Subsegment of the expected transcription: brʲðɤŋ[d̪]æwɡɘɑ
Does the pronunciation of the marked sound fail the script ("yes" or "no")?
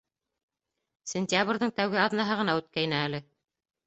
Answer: yes